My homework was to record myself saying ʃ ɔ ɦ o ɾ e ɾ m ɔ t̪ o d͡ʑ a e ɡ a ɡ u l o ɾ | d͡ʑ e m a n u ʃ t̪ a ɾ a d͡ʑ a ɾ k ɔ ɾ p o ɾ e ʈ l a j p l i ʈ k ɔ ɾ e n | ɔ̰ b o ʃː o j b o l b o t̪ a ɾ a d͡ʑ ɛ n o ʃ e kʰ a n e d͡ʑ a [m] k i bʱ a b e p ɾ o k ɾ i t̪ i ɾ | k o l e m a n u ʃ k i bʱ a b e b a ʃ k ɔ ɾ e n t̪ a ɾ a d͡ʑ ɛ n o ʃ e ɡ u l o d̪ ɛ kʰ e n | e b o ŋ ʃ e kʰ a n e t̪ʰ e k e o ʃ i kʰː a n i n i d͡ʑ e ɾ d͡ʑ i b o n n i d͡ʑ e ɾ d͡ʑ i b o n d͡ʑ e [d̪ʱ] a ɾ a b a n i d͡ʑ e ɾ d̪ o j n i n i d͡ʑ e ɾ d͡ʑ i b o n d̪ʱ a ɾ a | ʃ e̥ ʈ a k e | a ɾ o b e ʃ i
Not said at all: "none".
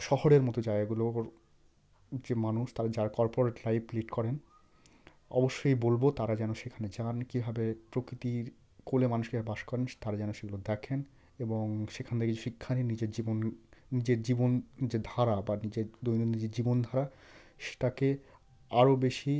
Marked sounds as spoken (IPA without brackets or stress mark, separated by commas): n, d̪ʱ